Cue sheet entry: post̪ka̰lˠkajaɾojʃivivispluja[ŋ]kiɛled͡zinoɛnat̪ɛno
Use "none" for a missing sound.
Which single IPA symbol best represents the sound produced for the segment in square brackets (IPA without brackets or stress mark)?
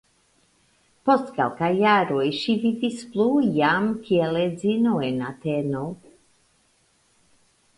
m